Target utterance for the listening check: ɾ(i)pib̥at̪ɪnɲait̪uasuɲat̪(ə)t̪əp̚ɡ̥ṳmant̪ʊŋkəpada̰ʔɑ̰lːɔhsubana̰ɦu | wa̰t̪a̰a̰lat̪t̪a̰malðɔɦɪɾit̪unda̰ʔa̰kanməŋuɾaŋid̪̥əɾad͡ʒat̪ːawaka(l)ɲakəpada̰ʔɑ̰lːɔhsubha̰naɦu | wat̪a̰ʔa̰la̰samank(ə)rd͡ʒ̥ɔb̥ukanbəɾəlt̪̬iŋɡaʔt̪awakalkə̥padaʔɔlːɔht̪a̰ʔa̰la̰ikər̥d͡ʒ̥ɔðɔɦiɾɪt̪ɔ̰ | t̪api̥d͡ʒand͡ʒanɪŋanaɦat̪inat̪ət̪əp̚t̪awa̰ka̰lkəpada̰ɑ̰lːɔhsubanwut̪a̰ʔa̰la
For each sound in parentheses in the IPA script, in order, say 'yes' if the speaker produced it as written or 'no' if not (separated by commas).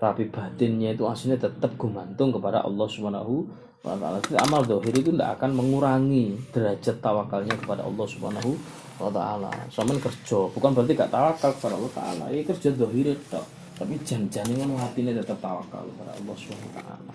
no, yes, yes, yes